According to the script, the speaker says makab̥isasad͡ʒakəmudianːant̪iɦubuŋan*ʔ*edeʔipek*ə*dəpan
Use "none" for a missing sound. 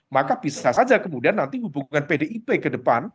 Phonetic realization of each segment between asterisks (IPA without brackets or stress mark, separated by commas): p, ə